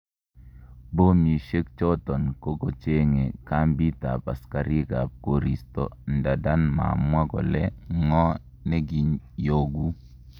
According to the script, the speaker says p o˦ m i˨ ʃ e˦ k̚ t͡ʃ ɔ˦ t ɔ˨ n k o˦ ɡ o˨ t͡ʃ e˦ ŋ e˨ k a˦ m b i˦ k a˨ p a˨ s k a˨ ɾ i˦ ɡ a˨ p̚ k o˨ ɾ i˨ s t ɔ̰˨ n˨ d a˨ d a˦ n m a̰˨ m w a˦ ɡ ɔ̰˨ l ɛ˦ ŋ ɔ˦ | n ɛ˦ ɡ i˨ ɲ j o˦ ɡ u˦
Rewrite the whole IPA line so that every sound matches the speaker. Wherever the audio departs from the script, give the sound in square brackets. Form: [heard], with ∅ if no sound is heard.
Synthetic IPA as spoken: [b] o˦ m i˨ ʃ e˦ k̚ t͡ʃ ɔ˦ t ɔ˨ n k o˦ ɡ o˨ t͡ʃ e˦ ŋ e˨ k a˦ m b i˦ [t] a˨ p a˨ s k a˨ ɾ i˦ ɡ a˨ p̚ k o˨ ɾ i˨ s t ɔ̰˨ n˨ d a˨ d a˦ n m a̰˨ m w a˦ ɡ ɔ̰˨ l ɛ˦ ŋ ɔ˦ | n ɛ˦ ɡ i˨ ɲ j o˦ ɡ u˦